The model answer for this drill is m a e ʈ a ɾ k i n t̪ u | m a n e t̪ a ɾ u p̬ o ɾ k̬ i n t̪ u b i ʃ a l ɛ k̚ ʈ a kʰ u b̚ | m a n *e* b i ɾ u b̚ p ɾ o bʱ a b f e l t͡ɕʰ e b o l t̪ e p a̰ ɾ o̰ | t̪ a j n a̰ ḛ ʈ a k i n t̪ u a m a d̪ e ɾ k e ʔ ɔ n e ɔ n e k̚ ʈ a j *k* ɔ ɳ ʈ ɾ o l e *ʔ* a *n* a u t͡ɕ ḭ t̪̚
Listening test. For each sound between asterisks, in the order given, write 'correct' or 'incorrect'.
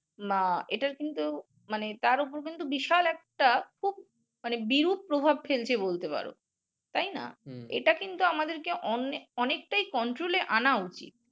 correct, correct, correct, correct

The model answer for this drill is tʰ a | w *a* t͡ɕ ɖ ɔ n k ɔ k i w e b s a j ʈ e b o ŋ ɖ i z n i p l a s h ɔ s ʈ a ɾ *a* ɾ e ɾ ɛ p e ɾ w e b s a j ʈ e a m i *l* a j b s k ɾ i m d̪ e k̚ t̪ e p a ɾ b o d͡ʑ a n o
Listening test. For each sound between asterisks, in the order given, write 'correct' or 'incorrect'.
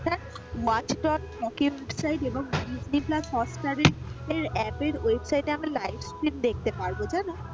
correct, incorrect, correct

